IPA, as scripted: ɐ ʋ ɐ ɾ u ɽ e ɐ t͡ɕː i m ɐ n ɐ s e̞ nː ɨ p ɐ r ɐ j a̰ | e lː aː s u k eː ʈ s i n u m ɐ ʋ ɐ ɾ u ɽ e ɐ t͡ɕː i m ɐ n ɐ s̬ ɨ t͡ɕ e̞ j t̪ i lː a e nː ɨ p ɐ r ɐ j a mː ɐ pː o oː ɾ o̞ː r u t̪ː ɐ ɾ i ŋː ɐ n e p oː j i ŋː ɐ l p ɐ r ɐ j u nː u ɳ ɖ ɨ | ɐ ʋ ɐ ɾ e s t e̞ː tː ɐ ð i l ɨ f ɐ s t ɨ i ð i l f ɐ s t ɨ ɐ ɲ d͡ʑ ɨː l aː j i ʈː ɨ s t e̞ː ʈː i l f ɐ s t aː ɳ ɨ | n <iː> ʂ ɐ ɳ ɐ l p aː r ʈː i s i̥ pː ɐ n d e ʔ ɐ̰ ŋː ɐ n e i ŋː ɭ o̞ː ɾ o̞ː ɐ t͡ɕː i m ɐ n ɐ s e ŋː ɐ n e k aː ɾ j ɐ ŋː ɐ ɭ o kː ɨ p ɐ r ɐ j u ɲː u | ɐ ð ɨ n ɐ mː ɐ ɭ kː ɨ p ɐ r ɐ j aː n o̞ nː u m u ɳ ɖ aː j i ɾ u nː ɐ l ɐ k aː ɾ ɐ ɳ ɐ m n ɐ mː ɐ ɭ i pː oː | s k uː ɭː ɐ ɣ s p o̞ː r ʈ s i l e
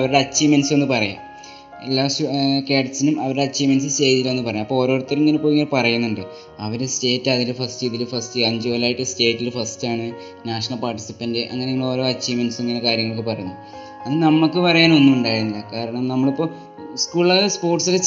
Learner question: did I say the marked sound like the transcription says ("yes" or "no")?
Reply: no